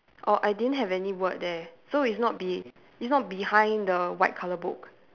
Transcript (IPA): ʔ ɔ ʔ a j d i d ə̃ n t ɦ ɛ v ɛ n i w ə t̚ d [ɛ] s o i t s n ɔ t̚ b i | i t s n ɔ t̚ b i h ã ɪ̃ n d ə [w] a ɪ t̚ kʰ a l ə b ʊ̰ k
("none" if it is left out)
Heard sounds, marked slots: ɛ, w

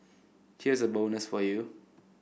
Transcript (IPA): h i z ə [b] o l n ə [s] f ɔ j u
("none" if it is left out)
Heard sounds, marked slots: b, s

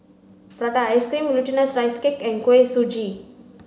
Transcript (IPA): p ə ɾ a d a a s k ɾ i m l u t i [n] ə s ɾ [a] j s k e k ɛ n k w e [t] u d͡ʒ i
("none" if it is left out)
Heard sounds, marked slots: n, a, s

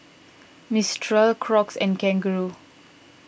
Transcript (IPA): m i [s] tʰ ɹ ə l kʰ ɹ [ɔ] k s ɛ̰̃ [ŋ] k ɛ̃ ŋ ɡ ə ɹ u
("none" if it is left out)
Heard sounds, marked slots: s, ɔ, n

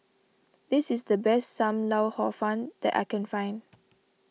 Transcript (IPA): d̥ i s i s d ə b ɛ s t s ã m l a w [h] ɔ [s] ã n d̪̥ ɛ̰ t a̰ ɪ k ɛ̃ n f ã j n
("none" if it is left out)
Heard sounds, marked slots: h, f

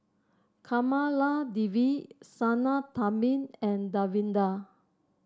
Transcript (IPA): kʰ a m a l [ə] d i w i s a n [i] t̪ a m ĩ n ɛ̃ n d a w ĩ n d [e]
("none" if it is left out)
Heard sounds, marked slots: a, a, a

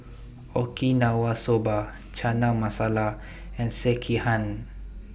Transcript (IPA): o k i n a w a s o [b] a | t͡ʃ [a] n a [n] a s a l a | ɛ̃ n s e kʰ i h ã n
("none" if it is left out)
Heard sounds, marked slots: b, a, m

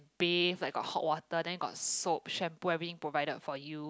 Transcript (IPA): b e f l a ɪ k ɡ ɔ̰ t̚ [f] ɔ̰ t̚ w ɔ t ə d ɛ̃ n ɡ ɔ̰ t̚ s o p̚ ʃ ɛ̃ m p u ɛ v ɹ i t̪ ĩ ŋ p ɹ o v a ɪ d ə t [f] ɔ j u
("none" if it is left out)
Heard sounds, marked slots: h, f

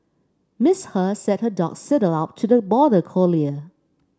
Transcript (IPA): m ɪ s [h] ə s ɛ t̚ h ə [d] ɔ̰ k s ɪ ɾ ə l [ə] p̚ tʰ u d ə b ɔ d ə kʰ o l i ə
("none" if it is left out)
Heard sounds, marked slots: h, d, a

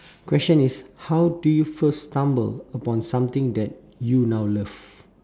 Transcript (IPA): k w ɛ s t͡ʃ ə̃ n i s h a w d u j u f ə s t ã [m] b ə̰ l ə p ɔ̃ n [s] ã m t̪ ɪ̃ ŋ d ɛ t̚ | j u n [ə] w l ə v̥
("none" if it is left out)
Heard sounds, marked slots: m, s, a

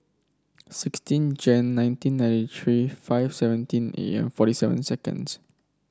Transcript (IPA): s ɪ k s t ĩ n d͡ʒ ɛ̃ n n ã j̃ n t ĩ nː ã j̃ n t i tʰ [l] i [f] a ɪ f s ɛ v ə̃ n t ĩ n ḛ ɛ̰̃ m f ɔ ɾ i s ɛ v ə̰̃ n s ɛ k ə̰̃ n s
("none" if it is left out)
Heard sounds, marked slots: ɹ, f

